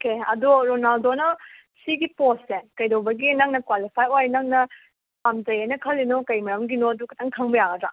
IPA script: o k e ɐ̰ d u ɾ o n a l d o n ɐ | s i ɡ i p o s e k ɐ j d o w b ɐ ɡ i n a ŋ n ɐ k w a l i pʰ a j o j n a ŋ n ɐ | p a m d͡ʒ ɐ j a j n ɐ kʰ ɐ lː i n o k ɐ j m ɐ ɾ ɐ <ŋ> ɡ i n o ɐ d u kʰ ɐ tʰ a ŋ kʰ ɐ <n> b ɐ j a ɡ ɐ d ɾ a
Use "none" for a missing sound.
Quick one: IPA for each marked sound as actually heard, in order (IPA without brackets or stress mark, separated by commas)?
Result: m, ŋ